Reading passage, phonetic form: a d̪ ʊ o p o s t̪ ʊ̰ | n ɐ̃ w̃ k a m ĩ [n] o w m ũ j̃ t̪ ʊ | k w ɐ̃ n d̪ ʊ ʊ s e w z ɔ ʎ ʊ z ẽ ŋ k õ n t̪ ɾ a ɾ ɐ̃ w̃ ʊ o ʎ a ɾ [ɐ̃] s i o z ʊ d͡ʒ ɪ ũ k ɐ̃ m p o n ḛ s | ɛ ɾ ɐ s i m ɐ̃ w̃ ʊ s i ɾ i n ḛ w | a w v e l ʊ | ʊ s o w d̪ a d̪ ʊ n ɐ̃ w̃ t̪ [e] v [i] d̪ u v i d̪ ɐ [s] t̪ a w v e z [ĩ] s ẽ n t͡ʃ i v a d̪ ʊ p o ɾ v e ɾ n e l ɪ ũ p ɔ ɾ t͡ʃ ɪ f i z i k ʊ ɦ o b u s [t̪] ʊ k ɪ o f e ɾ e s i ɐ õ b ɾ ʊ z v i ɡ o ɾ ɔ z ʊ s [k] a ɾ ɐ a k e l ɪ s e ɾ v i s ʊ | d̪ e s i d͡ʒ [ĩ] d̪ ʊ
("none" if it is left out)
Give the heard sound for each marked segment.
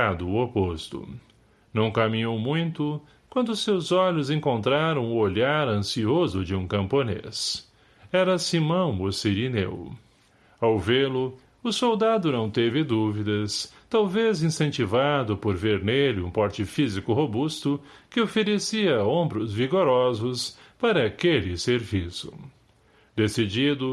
ɲ, ɐ̃, e, ɪ, s, ĩ, t̪, p, i

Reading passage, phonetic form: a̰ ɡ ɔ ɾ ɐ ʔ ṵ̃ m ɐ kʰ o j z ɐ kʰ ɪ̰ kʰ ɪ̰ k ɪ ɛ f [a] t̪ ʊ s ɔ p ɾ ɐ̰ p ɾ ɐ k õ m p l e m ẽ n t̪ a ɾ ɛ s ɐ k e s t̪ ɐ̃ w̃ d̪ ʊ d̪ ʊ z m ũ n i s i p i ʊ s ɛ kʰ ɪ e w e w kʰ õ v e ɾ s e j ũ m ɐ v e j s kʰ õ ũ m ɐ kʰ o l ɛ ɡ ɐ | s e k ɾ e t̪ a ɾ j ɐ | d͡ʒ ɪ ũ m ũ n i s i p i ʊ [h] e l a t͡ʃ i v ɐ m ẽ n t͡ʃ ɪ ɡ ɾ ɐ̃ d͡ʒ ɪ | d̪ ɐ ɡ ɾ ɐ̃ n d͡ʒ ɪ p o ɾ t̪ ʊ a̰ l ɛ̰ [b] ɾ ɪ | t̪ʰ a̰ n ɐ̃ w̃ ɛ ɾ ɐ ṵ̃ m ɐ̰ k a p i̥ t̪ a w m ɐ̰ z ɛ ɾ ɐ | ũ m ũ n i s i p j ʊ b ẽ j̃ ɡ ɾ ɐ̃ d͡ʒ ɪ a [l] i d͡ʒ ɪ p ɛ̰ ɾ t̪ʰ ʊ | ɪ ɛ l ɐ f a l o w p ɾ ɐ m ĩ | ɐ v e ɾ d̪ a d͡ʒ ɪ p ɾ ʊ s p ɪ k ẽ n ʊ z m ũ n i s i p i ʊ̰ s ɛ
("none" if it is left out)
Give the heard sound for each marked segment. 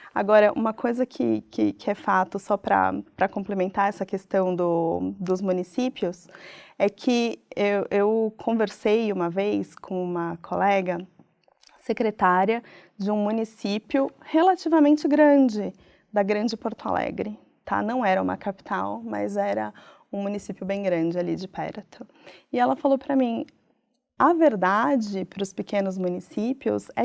a, h, ɡ, l

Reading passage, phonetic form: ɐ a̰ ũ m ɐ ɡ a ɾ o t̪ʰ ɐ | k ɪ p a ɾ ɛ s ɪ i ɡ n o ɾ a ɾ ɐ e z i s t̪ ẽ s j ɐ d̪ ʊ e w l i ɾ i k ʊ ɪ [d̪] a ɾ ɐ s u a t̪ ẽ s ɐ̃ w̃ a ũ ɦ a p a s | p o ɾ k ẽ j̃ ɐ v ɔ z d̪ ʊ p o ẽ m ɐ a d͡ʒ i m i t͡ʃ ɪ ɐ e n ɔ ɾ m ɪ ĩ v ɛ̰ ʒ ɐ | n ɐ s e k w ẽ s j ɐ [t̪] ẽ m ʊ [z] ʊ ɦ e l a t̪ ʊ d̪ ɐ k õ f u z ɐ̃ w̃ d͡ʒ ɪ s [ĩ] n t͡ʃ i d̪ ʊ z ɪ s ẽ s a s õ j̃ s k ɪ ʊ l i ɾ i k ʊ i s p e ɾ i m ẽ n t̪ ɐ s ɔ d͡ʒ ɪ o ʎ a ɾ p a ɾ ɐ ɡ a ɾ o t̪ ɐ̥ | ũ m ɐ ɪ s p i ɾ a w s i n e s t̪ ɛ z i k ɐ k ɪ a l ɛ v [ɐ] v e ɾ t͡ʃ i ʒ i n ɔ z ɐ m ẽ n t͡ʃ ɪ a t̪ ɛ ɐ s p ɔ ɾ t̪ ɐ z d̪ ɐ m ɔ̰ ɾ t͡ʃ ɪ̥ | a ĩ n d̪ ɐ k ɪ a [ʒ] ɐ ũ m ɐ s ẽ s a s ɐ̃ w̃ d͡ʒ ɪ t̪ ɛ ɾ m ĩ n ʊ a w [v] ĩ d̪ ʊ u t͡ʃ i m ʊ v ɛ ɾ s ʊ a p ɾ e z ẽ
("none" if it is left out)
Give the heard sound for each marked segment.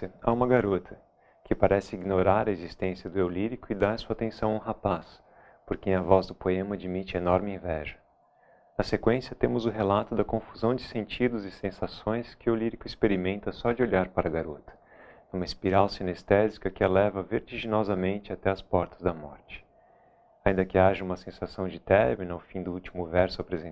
d̪, t̪, z, ẽ, ɐ, ʒ, f

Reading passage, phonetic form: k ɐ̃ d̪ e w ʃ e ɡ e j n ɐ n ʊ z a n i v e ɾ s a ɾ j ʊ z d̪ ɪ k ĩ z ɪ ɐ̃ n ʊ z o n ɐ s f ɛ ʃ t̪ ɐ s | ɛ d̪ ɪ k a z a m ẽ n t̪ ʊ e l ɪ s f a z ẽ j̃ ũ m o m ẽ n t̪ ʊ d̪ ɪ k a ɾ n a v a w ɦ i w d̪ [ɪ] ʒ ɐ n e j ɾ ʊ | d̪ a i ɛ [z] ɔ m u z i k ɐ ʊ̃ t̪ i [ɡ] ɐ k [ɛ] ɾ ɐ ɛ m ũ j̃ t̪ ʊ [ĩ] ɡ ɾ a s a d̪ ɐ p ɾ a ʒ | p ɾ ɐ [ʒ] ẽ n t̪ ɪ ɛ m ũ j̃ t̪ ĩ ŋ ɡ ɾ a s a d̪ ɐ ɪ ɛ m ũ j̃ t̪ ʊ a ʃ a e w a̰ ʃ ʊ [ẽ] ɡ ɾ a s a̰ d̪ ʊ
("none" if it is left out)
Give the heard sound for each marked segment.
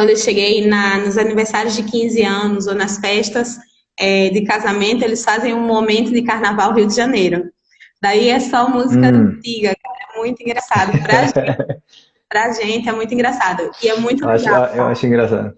ɪ, s, ɡ, a, ĩ, ʒ, ĩ

